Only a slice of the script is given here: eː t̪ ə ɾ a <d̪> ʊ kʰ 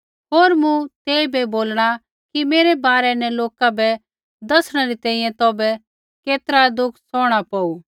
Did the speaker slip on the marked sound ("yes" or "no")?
no